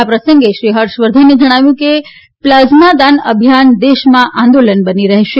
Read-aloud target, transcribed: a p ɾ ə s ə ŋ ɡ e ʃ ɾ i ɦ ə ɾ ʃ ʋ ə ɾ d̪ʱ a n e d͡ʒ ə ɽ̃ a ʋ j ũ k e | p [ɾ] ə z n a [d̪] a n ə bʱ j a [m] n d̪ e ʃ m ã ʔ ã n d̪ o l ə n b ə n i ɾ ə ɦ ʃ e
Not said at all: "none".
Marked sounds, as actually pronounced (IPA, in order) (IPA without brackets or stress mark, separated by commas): l, d̪, none